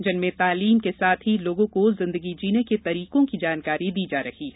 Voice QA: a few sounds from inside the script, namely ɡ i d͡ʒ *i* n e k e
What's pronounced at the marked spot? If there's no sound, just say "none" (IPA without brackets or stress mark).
iː